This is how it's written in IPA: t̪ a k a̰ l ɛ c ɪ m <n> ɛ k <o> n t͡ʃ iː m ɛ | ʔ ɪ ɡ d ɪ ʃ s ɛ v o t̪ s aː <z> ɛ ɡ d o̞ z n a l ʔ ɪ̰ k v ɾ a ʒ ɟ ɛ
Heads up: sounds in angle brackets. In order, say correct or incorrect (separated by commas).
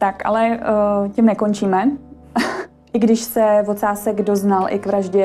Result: correct, correct, incorrect